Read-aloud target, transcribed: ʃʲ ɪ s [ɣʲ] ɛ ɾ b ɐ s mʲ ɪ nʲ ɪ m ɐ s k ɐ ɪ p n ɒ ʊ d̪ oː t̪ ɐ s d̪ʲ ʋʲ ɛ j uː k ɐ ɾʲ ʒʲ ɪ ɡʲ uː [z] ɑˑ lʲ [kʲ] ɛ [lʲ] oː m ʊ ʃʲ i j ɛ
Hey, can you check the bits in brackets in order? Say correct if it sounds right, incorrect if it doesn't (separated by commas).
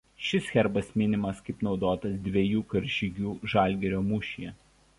incorrect, incorrect, incorrect, incorrect